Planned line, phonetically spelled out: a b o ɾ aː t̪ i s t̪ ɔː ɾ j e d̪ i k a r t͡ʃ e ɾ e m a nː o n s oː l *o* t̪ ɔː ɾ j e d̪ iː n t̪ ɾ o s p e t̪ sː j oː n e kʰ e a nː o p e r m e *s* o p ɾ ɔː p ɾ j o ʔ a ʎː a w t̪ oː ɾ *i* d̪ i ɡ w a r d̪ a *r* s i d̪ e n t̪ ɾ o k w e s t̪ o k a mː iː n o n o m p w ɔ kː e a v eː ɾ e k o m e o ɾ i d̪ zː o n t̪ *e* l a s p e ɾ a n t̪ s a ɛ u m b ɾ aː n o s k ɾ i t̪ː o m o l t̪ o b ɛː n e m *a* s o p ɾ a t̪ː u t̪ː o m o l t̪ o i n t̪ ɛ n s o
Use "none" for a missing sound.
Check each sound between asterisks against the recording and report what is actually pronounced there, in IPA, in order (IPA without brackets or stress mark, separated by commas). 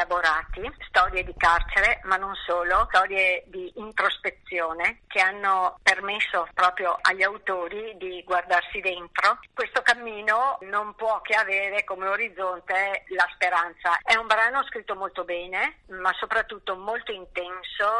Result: o, sː, i, r, e, a